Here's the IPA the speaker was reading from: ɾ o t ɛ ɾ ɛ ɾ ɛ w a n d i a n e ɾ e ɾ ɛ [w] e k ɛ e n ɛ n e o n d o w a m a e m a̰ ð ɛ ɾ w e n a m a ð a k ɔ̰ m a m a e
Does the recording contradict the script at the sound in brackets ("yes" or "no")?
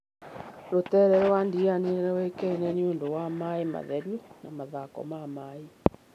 no